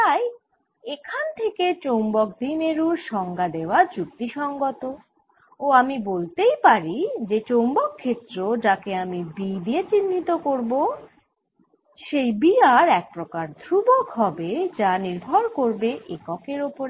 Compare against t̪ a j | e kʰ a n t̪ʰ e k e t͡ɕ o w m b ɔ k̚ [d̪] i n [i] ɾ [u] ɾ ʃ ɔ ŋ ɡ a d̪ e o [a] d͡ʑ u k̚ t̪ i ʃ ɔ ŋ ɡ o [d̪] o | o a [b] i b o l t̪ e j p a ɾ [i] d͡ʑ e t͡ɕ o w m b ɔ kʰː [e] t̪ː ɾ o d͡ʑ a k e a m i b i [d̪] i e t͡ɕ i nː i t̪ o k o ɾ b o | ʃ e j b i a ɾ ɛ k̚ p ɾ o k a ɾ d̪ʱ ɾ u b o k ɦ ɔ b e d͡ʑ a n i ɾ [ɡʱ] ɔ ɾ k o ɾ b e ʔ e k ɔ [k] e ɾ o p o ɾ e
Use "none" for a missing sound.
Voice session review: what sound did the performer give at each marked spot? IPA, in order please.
d̪, e, u, a, t̪, m, i, e, d̪, bʱ, k

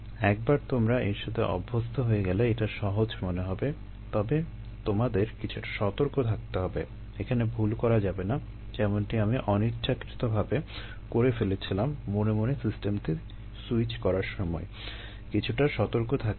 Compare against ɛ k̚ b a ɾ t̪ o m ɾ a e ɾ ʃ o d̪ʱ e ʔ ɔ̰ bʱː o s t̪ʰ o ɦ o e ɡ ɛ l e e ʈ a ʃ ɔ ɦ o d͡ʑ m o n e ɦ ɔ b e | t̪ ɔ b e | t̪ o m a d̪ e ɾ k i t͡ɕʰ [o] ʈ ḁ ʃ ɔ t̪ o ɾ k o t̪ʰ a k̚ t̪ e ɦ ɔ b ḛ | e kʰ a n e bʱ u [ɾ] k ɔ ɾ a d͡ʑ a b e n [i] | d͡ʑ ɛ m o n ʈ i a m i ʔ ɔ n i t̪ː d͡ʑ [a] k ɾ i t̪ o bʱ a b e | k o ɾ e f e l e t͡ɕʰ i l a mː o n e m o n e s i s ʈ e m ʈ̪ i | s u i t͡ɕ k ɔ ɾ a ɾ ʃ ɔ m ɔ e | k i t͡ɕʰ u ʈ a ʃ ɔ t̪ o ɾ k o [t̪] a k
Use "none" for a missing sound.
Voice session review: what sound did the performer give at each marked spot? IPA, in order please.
u, l, a, a, t̪ʰ

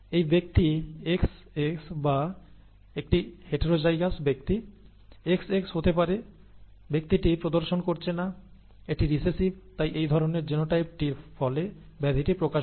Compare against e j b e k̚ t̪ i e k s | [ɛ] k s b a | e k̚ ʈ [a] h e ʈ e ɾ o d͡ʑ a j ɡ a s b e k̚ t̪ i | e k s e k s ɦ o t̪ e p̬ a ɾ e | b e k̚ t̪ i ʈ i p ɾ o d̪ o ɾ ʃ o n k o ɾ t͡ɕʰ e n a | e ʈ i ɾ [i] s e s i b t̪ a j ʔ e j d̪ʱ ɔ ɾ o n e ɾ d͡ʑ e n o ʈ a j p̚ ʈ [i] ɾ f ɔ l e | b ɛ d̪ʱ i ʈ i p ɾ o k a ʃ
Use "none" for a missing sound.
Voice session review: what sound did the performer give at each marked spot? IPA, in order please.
e, i, i, i

